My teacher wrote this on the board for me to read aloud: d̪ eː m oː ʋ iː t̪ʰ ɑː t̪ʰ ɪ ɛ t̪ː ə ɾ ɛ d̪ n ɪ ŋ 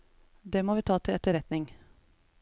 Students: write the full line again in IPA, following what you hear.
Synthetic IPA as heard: d̪ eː m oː ʋ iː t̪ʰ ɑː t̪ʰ ɪ ɛ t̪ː ə ɾ ɛ t̪ n ɪ ŋ